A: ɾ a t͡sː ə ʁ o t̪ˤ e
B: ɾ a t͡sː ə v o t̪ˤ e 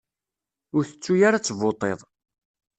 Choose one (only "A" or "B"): B